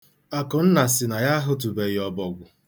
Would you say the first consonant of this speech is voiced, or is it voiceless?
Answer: voiceless